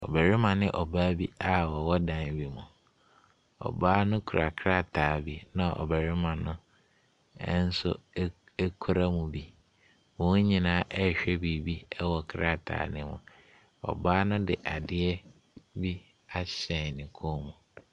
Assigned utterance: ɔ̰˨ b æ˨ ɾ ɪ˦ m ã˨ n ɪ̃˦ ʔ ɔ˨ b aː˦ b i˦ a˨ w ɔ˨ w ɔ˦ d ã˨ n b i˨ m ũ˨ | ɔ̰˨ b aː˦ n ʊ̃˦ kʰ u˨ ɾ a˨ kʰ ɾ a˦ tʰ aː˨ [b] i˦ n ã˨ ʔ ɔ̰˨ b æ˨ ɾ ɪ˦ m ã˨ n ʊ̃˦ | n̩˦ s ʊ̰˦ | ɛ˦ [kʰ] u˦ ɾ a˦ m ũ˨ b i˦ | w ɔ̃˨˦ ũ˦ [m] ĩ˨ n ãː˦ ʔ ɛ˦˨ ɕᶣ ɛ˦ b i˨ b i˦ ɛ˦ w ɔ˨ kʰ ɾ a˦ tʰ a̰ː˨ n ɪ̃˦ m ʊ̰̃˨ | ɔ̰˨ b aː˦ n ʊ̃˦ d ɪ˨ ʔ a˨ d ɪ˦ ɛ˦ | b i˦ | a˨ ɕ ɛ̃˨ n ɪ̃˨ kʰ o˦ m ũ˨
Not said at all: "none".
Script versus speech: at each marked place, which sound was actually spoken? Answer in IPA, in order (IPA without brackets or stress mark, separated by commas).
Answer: b, kʰ, ɲ